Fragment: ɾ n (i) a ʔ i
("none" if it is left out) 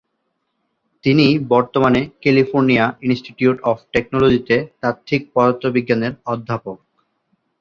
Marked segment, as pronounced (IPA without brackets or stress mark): i